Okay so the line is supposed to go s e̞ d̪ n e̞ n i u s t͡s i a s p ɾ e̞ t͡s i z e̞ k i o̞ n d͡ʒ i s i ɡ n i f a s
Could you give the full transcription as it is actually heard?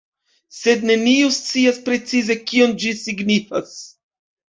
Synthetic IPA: s e̞ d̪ n e̞ n i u s t͡s i a s p ɾ e̞ t͡s i z e̞ k i o̞ n d͡ʒ i s i ɡ n i f a s